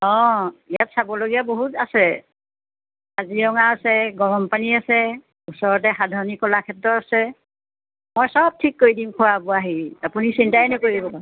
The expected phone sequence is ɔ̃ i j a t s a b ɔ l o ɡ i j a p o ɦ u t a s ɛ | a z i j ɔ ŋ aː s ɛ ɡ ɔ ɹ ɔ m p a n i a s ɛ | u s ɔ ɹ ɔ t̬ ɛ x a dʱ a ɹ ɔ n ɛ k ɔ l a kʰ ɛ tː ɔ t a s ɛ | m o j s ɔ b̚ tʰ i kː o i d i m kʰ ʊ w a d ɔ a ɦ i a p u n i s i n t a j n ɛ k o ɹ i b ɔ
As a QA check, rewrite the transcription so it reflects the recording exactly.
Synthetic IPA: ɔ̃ i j a t s a b ɔ l o ɡ i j a b o ɦ u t a s ɛ | a z i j ɔ ŋ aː s ɛ ɡ ɔ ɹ ɔ m p a n i a s ɛ | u s ɔ ɹ ɔ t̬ ɛ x a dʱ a ɹ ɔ n i k ɔ l a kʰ ɛ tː ɔ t a s ɛ | m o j s ɔ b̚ tʰ i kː o i d i m kʰ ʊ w a b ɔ a ɦ i a p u n i s i n t a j n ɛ k o ɹ i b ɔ

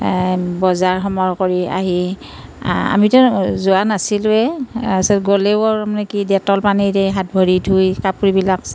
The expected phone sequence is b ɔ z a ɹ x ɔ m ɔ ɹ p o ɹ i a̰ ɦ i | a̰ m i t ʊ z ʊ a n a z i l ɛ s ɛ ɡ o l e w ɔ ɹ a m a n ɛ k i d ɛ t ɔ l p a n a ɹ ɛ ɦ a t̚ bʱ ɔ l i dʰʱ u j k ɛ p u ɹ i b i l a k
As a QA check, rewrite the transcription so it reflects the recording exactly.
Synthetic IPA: b ɔ z a ɹ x ɔ m ɔ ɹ k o ɹ i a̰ ɦ i | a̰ m i t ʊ z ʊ a n a s i l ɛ s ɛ ɡ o l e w ɔ ɹ a m a n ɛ k i d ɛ t ɔ l p a n i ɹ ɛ ɦ a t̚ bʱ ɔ ɹ i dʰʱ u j k a p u ɹ i b i l a k

